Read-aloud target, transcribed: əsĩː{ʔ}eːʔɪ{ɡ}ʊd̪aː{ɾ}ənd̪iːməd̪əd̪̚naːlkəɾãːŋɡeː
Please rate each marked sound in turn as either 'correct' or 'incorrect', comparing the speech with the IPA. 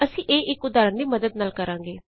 correct, incorrect, correct

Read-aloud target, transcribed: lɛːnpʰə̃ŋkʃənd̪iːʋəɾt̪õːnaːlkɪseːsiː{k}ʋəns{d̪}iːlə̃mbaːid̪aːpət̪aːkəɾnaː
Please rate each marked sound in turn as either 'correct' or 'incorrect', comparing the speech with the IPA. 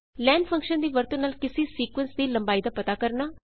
correct, correct

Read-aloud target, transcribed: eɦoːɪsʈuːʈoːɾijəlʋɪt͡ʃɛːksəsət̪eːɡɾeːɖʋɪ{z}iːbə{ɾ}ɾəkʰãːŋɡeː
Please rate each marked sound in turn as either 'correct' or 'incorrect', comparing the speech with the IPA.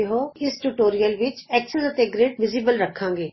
correct, incorrect

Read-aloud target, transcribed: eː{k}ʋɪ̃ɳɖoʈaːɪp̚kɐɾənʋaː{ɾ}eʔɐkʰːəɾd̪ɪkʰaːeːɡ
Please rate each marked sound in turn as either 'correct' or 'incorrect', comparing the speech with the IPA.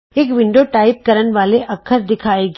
correct, incorrect

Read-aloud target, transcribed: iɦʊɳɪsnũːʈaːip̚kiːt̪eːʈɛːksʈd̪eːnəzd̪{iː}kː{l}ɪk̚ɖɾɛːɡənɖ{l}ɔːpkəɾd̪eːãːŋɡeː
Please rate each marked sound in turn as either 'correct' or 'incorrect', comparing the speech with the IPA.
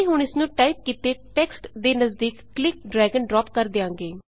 correct, correct, incorrect

